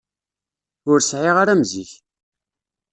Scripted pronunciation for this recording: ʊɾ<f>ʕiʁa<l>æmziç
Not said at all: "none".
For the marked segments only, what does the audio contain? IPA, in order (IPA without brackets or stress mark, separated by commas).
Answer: s, ɾ